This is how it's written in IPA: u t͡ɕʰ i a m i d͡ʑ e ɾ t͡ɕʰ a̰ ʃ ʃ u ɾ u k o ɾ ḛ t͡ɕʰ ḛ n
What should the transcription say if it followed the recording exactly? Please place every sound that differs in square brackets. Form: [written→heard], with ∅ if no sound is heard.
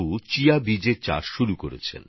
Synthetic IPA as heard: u [t͡ɕʰ→t͡ɕ] i a [m→b] i d͡ʑ e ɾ [t͡ɕʰ→t͡ɕ] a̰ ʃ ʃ u ɾ u k o ɾ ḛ t͡ɕʰ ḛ n